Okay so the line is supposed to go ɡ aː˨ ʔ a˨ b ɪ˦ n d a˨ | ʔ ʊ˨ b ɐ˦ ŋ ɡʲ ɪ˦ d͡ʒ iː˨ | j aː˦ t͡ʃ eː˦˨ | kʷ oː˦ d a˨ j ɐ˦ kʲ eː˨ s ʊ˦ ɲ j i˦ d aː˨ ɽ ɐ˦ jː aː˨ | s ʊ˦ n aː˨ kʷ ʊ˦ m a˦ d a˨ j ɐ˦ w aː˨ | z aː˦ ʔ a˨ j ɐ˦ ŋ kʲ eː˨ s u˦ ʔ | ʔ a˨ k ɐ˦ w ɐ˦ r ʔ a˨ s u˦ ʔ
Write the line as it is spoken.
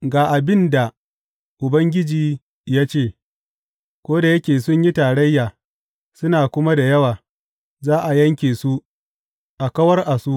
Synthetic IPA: ɡ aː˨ ʔ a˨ b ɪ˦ n d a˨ | ʔ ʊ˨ b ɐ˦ ŋ ɡʲ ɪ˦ d͡ʒ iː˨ | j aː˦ t͡ʃ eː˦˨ | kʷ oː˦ d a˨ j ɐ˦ kʲ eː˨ s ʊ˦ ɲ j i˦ t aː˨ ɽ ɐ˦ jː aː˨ | s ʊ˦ n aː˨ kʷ ʊ˦ m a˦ d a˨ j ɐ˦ w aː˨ | z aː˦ ʔ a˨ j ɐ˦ ŋ kʲ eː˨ s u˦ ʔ | ʔ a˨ k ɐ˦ w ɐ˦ r ʔ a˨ s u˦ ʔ